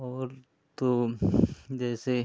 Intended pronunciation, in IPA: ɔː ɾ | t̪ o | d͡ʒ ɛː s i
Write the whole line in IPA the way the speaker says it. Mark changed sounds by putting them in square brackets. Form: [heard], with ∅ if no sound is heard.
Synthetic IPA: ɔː ɾ | t̪ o | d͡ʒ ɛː s [e]